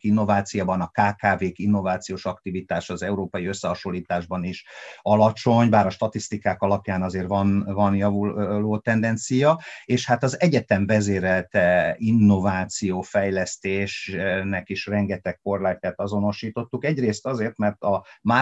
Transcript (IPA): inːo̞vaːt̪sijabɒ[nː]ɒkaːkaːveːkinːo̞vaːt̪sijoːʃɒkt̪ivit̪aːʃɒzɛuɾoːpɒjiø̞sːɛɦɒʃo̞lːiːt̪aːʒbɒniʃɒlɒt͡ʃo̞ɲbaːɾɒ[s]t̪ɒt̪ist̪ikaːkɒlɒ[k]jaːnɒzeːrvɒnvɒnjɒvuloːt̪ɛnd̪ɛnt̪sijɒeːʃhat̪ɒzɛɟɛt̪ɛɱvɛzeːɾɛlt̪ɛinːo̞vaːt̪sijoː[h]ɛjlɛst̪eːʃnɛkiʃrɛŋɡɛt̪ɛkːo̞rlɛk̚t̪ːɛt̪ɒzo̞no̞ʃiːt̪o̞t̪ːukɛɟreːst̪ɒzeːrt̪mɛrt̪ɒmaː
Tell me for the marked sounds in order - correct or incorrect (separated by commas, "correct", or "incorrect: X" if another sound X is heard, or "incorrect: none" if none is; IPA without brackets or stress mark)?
incorrect: n, incorrect: ʃ, incorrect: p, incorrect: f